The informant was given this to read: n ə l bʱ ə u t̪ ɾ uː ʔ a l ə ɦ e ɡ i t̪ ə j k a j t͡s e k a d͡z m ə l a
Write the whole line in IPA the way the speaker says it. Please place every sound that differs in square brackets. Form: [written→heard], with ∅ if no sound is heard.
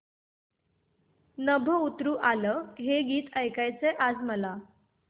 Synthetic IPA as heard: n ə [l→∅] bʱ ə u t̪ ɾ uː ʔ a l ə ɦ e ɡ [i→iː] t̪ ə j k a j t͡s e [k→ʔ] a d͡z m ə l a